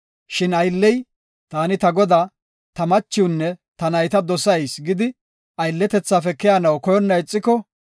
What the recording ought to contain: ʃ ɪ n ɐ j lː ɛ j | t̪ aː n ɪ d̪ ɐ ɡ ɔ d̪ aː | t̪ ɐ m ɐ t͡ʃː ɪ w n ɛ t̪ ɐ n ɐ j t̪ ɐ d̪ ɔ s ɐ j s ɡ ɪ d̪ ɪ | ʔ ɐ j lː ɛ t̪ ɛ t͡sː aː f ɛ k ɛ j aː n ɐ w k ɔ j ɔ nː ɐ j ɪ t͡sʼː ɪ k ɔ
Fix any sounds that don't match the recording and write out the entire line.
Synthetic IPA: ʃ ɪ n ɐ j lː ɛ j | t̪ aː n ɪ t̪ ɐ ɡ ɔ d̪ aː | t̪ ɐ m ɐ t͡ʃː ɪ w nː ɛ t̪ ɐ n ɐ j t̪ ɐ d̪ ɔ s ɐ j s ɡ ɪ d̪ ɪ | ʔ ɐ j lː ɛ t̪ ɛ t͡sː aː f ɛ k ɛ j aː n ɐ w k ɔ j ɔ nː ɐ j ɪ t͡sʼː ɪ k ɔ